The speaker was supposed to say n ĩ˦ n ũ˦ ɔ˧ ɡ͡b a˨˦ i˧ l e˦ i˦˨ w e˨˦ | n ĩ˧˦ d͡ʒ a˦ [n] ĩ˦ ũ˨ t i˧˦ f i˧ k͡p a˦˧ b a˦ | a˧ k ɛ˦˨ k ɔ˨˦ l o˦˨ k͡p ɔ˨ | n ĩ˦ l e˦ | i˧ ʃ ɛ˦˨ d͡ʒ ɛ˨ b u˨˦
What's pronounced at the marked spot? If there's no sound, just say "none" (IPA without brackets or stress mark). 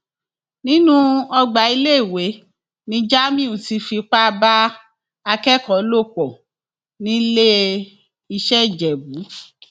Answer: m